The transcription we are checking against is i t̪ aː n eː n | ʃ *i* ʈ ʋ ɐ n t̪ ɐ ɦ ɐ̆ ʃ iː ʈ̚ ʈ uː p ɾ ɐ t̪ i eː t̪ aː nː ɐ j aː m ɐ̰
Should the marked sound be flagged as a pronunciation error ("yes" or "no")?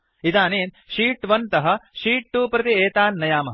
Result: yes